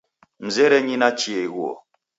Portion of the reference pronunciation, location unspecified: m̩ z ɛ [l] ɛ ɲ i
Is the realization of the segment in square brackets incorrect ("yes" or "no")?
yes